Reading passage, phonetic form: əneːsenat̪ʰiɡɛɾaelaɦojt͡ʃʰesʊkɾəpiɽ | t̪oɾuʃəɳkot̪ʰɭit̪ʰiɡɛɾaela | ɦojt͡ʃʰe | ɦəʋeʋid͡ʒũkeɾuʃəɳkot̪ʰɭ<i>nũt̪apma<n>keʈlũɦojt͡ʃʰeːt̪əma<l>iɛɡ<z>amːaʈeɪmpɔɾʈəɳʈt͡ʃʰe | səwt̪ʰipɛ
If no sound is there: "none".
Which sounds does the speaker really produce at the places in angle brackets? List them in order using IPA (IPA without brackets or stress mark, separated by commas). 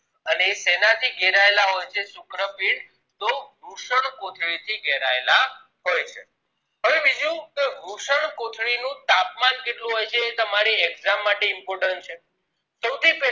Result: i, n, ɾ, z